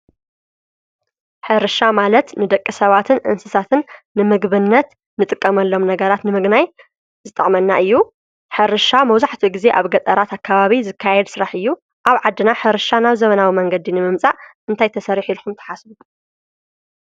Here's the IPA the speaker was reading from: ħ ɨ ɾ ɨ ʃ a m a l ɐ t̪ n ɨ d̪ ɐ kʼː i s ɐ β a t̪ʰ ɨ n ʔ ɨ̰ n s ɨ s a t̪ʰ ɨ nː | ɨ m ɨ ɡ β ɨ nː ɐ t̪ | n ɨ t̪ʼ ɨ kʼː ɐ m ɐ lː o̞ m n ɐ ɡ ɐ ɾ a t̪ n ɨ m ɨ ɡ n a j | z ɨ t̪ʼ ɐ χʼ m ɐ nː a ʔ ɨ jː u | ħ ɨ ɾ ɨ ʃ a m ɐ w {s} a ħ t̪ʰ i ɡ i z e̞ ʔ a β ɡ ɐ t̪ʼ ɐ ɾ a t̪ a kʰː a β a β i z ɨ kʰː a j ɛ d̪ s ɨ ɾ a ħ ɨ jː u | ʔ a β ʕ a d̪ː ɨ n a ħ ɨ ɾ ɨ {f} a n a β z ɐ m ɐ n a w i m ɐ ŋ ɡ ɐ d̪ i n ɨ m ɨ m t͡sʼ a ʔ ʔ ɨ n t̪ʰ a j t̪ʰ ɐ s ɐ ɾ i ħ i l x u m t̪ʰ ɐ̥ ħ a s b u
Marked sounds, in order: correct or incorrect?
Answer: incorrect, incorrect

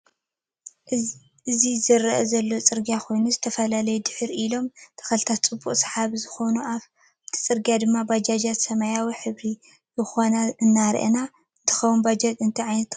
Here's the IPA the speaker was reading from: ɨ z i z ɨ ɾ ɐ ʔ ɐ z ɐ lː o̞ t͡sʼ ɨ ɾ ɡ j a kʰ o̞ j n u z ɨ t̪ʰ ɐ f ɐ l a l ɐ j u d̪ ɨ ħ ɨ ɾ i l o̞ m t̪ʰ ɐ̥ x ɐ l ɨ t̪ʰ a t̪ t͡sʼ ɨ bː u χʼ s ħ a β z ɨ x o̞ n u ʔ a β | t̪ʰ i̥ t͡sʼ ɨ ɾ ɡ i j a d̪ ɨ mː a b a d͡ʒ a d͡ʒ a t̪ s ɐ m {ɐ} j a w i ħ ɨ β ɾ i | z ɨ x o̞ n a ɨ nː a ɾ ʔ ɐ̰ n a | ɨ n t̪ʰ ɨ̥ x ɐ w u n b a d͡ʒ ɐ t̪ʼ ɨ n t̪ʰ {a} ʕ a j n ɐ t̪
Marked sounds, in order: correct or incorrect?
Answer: incorrect, incorrect

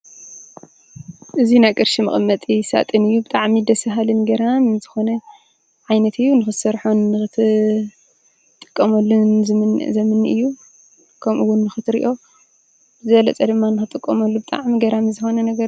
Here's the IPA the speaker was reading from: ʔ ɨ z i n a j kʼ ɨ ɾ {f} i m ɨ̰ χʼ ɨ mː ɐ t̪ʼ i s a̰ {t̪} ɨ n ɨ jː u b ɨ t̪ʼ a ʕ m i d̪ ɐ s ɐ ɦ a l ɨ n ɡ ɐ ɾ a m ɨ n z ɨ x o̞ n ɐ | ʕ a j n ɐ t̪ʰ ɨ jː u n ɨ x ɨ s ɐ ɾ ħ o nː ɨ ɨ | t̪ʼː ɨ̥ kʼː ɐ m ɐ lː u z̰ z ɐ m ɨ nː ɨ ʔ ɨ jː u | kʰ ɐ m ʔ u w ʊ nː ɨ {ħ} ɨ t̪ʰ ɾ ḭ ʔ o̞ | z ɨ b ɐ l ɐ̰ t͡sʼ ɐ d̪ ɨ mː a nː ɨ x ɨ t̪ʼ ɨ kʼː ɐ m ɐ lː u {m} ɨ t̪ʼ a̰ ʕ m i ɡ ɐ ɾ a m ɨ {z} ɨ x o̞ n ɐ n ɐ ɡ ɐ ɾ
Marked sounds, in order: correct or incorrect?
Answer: incorrect, incorrect, incorrect, incorrect, correct

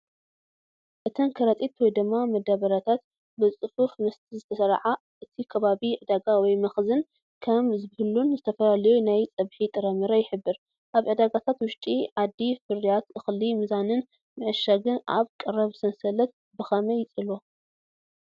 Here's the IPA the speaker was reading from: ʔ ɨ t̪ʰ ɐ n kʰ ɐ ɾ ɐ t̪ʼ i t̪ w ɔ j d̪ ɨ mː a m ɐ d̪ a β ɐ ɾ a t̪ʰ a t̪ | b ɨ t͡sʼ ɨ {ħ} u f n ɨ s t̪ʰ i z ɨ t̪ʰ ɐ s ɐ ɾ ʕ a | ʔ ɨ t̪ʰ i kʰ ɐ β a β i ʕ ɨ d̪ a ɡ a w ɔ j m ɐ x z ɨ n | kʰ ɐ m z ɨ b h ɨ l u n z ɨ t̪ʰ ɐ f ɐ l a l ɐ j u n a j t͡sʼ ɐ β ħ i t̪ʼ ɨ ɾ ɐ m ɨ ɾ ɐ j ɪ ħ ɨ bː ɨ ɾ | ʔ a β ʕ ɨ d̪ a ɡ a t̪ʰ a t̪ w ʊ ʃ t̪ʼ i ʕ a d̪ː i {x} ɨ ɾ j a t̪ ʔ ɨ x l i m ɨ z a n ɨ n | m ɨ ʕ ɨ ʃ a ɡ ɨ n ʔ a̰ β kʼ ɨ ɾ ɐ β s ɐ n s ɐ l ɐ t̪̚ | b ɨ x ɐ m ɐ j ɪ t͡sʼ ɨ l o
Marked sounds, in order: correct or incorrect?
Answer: incorrect, incorrect

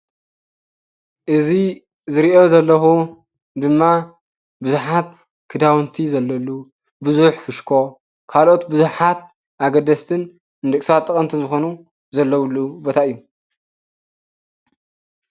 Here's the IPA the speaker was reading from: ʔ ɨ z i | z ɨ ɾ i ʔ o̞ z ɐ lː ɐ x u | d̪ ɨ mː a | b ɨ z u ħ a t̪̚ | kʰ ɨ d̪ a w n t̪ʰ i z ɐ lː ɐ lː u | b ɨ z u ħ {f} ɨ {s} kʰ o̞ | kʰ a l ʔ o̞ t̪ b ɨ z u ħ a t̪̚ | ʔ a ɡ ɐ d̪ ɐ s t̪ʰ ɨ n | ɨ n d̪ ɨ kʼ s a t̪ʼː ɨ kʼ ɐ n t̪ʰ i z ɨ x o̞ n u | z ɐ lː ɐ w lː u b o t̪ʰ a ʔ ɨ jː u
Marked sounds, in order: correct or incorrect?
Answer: correct, incorrect

